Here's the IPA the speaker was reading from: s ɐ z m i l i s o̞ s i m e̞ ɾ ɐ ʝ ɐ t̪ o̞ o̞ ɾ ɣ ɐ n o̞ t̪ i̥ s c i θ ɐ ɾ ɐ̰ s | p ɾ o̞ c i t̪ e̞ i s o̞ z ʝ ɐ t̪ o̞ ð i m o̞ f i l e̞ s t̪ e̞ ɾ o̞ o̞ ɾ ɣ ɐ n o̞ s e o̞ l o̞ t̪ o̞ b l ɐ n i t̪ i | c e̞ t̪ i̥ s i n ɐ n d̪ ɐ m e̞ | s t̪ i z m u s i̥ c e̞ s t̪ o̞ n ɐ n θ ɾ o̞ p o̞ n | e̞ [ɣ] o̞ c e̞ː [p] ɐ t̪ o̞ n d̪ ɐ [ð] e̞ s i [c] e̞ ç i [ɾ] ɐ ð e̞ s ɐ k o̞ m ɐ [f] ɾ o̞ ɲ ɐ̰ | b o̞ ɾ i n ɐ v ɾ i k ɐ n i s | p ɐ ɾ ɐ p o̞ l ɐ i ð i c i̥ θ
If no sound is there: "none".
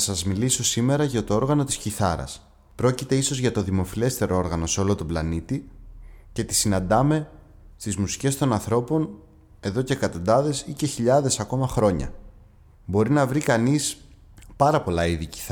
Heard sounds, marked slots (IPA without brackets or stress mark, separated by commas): ð, k, ð, c, ʎ, x